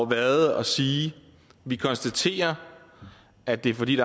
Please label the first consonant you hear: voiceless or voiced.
voiced